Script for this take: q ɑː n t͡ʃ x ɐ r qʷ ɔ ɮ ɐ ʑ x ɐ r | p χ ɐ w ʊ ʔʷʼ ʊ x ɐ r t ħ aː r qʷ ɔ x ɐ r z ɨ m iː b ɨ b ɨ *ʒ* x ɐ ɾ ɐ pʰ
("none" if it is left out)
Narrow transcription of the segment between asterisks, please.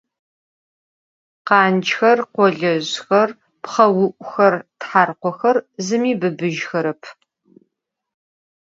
ʒ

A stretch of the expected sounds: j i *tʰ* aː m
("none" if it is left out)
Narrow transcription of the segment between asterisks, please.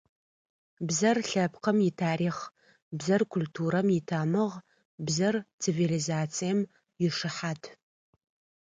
tʰ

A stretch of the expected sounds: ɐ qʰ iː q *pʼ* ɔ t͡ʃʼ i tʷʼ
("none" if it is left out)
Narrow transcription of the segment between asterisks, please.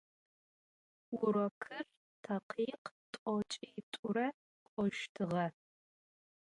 tʼ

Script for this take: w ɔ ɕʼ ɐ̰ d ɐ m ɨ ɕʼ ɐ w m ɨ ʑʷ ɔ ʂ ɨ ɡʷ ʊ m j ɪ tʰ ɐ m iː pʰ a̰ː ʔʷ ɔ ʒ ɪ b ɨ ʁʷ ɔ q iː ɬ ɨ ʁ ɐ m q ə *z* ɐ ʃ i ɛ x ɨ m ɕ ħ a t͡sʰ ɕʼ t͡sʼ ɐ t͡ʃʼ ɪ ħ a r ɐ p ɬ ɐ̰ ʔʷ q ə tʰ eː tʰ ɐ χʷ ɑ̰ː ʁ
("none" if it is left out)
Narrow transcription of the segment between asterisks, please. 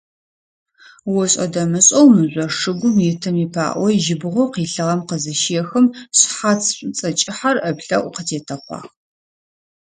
z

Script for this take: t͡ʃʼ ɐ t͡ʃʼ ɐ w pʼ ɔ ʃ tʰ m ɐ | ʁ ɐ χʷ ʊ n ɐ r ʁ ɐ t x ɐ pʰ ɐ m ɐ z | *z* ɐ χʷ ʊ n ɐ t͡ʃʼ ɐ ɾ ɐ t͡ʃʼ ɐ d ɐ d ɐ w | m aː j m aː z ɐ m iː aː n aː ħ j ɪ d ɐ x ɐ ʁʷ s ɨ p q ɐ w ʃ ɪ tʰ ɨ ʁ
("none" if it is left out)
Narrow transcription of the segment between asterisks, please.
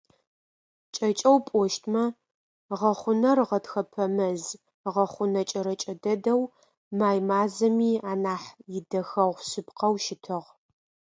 ʁ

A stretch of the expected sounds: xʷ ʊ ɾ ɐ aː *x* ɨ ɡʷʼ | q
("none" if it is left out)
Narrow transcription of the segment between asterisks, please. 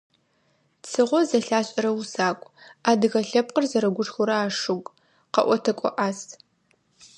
ʂ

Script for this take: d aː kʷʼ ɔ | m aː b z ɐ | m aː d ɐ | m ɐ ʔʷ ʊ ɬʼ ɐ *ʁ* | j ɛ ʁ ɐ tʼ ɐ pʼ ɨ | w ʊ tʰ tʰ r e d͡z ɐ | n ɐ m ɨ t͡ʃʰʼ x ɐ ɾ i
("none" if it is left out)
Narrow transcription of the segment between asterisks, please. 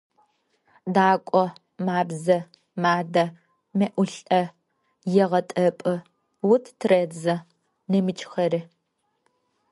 none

